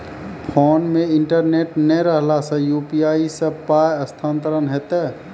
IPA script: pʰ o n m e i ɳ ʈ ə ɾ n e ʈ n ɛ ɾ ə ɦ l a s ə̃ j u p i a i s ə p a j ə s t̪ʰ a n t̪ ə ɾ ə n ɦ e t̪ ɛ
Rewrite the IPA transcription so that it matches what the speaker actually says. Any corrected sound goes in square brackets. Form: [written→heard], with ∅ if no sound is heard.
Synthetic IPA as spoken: pʰ o n m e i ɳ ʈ ə ɾ n e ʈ n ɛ ɾ ə ɦ l a s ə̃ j u p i a i s ə p a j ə s t̪ʰ a n t̪ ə ɾ ə n ɦ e t̪ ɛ